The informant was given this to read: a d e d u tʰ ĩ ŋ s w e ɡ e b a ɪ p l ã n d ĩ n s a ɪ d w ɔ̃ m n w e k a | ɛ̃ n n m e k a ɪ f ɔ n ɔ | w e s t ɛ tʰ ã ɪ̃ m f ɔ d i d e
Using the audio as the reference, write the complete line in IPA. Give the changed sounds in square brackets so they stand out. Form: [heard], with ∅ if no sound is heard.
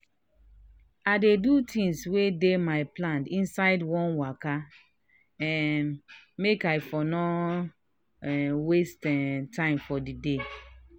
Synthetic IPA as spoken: a d e d u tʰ ĩ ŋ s w e [d] e [m] a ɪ p l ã n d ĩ n s a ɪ d w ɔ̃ [∅] n w [a] k a | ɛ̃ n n m e k a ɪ f ɔ n ɔ | w e s t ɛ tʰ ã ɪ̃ m f ɔ d i d e